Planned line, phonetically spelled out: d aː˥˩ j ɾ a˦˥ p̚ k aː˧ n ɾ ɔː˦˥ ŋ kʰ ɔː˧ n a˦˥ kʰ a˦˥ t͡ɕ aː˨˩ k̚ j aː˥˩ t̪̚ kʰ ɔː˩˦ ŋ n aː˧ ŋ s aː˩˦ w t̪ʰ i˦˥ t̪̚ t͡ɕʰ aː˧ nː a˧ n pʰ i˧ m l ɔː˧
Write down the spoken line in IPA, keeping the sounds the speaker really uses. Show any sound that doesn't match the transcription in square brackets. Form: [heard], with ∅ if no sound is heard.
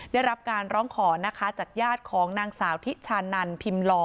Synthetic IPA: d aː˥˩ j ɾ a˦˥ p̚ k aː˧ n ɾ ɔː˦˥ ŋ kʰ [ɔː˩˦] n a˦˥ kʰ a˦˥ t͡ɕ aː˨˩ k̚ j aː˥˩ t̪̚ kʰ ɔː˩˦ ŋ n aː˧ ŋ s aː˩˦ w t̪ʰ i˦˥ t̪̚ t͡ɕʰ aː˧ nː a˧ n pʰ i˧ m l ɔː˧